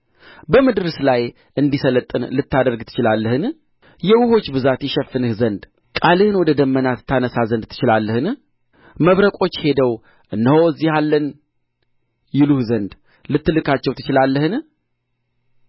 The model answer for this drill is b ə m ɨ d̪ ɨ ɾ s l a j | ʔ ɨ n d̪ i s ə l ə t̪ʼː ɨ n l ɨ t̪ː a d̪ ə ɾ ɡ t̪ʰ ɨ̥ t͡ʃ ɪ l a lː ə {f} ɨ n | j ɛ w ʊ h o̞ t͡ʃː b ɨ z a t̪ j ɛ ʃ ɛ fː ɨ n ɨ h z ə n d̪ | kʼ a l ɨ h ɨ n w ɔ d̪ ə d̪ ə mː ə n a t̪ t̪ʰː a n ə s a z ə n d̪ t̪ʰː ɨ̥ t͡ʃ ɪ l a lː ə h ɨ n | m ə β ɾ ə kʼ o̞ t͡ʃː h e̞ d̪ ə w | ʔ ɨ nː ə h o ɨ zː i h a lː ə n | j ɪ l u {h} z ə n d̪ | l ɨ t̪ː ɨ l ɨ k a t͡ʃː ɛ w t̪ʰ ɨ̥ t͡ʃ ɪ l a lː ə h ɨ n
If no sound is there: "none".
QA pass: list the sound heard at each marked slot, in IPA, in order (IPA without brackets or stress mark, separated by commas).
h, h